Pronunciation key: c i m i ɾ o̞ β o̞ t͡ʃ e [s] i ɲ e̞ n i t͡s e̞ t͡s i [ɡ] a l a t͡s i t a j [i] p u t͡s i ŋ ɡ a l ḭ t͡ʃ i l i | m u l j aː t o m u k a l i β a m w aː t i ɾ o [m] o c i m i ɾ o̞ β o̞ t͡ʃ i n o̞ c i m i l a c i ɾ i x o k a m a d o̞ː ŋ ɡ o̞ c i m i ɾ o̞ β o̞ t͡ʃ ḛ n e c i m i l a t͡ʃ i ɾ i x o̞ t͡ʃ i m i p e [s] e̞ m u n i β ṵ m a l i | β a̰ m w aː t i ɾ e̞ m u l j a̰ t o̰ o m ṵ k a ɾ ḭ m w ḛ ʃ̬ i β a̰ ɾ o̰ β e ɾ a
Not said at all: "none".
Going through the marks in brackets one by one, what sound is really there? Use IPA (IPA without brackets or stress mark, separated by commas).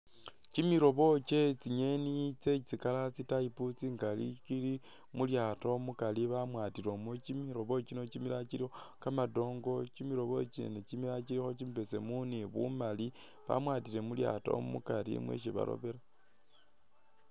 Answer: t͡s, k, i, m, s